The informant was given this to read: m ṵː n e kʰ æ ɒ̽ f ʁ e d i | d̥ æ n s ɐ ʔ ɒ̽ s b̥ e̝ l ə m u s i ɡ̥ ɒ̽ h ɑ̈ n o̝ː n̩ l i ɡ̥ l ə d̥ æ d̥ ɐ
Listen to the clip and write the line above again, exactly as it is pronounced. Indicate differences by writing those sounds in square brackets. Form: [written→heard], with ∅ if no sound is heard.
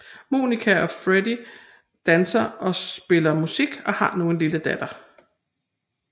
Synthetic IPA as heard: m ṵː n [e→i] kʰ æ ɒ̽ f ʁ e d i | d̥ æ n s ɐ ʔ ɒ̽ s b̥ e̝ l [ə→ɐ] m u s i ɡ̥ ɒ̽ h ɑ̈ n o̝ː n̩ l i [ɡ̥→∅] l ə d̥ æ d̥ ɐ